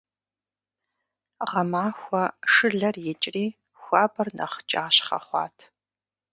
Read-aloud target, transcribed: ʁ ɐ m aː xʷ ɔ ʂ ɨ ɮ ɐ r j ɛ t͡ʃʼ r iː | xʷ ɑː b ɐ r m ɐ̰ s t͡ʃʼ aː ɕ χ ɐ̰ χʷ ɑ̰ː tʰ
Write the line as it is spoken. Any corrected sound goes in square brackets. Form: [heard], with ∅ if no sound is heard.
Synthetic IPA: ʁ ɐ m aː xʷ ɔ ʂ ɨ ɮ ɐ r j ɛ t͡ʃʼ r iː | xʷ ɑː b ɐ r [n] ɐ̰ [χ] t͡ʃʼ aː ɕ χ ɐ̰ χʷ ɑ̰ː tʰ